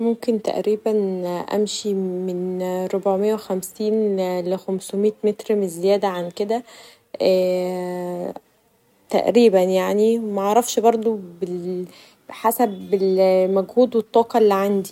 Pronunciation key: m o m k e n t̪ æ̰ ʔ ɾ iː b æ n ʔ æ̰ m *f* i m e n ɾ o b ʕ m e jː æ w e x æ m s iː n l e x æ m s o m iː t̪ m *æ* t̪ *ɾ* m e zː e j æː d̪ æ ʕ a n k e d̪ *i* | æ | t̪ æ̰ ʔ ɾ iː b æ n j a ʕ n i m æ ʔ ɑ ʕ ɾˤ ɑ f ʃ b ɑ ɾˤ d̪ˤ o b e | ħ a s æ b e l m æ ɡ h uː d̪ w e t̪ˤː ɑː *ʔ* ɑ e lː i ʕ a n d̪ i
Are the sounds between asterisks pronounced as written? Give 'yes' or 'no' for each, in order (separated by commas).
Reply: no, no, yes, no, no